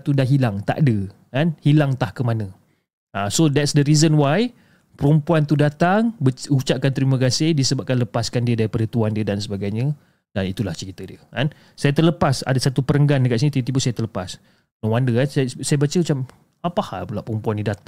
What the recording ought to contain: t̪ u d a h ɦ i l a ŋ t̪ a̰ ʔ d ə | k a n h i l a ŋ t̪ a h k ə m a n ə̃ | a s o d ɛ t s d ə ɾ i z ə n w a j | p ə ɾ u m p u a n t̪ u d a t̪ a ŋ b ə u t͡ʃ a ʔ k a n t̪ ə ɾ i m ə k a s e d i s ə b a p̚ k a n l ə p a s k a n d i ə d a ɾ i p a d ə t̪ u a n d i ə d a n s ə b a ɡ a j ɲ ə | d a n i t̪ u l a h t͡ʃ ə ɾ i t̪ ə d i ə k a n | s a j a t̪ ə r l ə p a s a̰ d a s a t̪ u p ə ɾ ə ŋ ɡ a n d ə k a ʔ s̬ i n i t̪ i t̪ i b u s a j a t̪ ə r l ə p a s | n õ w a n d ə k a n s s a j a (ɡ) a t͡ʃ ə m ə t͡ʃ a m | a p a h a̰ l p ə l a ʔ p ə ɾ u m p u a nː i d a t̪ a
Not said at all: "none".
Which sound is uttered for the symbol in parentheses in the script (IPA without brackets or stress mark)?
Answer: b